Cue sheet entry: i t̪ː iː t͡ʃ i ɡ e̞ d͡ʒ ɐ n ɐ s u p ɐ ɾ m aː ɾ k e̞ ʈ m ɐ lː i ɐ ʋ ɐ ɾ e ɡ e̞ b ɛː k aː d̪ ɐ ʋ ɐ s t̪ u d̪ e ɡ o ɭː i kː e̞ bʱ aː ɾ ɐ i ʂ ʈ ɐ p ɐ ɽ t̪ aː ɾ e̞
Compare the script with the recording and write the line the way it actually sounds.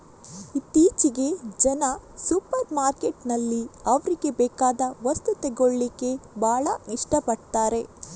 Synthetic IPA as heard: i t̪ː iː t͡ʃ i ɡ e̞ d͡ʒ ɐ n ɐ s u p ɐ ɾ m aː ɾ k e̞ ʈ n ɐ lː i ɐ ʋ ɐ ɾ i ɡ e̞ b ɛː k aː d̪ ɐ ʋ ɐ s t̪ u t̪ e ɡ o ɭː i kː e̞ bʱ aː ɭ ɐ i ʂ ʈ ɐ p ɐ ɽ t̪ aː ɾ e̞